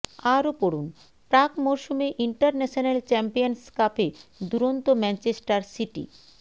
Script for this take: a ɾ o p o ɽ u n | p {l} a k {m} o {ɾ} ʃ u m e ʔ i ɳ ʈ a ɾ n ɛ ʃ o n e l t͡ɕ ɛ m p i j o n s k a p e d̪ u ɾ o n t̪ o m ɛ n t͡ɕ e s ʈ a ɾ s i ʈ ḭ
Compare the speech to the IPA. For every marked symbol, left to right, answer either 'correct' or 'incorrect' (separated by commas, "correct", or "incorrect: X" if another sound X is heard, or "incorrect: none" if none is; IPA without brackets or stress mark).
incorrect: ɾ, correct, correct